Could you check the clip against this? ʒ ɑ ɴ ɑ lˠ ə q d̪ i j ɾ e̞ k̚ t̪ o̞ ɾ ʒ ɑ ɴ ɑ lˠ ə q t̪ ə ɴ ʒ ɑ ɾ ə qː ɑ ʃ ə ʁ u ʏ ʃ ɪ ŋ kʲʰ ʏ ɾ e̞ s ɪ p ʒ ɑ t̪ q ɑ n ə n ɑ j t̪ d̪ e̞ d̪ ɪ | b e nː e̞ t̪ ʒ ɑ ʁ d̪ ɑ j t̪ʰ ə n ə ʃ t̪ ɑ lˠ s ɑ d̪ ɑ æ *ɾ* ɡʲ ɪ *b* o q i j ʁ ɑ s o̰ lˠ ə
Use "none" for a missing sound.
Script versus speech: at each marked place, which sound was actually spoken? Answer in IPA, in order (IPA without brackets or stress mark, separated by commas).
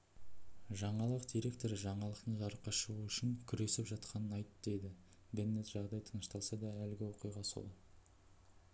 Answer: l, w